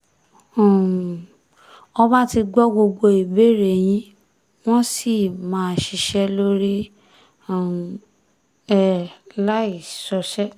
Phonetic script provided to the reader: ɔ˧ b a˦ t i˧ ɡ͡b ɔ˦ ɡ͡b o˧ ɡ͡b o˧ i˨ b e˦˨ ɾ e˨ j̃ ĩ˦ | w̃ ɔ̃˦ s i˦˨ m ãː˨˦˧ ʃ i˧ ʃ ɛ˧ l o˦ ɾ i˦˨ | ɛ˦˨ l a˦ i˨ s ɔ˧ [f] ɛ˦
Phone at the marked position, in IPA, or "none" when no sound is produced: ʃ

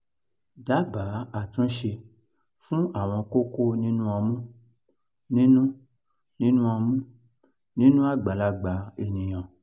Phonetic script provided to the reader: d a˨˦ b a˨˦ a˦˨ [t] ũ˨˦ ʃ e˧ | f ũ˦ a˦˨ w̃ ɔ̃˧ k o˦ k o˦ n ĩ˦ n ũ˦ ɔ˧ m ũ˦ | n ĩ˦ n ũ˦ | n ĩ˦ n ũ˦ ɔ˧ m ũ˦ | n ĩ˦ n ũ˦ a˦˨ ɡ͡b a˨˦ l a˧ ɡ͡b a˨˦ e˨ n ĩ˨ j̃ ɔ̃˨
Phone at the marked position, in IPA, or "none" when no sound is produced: t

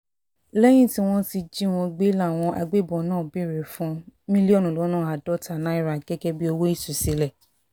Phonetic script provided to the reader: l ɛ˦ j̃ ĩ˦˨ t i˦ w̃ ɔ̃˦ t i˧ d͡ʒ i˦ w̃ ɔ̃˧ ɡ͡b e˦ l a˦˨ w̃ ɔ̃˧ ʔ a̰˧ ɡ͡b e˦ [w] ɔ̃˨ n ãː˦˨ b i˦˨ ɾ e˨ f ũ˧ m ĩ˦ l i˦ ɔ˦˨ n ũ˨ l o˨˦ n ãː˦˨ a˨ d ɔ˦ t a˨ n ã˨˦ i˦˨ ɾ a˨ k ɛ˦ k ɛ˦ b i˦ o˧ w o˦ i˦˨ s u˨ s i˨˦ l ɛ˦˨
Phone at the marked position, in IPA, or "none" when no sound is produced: b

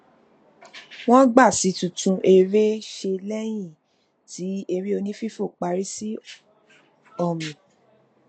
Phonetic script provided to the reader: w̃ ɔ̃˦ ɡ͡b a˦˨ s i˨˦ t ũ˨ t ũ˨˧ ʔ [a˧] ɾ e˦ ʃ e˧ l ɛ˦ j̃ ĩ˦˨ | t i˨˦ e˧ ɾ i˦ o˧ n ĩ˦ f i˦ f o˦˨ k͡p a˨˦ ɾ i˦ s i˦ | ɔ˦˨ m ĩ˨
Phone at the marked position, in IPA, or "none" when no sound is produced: e˧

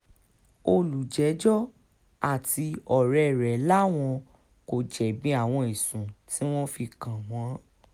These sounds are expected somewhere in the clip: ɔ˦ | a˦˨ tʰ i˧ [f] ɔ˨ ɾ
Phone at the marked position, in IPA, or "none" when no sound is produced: none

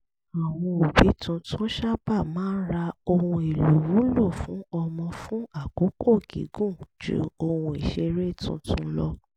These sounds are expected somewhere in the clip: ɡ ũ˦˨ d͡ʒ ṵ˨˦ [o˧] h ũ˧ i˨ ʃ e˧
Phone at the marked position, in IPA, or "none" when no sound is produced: o˧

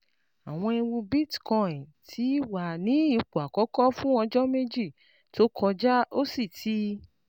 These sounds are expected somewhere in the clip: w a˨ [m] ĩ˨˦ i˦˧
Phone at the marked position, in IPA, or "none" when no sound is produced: n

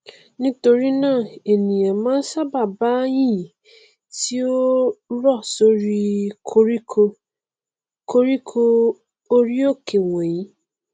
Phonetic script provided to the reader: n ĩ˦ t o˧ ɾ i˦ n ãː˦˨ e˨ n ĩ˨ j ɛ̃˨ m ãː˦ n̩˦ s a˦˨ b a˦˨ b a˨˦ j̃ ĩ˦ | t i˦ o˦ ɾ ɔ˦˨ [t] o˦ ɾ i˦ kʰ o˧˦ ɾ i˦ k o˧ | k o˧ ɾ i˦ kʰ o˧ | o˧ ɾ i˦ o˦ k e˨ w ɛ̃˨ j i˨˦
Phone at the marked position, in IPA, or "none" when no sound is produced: s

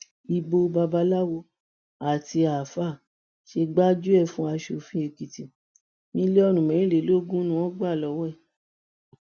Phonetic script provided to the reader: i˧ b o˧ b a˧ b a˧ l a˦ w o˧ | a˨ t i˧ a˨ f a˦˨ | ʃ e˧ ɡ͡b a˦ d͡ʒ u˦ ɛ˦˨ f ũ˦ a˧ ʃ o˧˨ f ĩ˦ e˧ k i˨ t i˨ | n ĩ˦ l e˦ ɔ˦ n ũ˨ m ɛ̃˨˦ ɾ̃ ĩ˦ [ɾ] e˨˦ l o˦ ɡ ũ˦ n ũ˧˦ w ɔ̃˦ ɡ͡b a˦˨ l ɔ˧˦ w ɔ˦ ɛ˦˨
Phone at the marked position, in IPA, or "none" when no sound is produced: l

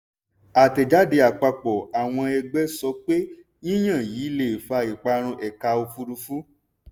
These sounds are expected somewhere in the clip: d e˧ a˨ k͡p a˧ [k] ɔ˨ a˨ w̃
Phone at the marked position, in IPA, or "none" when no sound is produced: k͡p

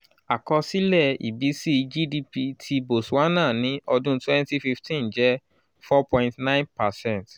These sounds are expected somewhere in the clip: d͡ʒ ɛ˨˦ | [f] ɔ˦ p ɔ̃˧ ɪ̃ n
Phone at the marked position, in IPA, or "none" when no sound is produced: f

